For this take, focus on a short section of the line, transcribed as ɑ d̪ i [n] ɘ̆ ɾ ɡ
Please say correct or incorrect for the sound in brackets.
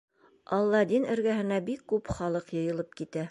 correct